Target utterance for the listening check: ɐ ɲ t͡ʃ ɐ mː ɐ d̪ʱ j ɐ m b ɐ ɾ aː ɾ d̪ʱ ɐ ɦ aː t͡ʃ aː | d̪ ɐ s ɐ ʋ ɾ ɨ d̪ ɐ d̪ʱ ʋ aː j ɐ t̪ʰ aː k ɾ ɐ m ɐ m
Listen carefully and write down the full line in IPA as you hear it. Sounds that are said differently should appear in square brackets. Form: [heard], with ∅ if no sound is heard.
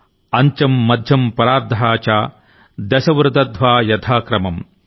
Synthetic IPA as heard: ɐ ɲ t͡ʃ ɐ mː ɐ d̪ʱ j ɐ m [p] ɐ ɾ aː ɾ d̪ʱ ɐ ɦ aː t͡ʃ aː | d̪ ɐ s ɐ ʋ ɾ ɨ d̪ ɐ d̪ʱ ʋ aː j ɐ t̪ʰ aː k ɾ ɐ m ɐ m